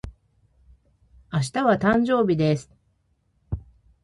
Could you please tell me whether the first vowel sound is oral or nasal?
oral